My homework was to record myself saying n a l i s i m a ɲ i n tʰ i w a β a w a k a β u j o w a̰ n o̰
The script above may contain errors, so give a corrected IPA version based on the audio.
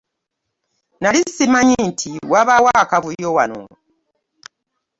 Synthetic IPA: n a l i s i m a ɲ i n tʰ i w a β a w a k a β u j o w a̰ n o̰